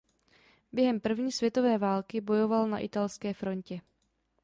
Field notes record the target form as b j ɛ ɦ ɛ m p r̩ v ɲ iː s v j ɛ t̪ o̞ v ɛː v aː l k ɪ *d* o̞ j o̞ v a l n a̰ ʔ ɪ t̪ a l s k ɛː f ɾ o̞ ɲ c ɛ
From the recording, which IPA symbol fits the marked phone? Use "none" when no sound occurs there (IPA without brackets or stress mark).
b